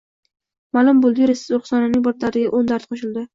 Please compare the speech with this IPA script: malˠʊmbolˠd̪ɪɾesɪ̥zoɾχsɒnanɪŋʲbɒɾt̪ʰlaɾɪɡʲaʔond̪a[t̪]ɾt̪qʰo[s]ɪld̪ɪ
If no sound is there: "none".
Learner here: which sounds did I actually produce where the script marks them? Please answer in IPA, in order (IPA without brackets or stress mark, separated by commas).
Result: none, ʃ